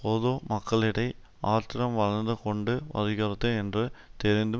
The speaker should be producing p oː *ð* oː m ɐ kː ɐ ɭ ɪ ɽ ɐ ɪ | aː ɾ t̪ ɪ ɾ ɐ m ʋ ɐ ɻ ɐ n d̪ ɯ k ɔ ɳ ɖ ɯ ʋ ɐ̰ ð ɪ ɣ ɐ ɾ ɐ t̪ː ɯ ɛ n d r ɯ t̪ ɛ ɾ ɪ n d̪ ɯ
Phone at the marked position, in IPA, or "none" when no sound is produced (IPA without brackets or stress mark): ð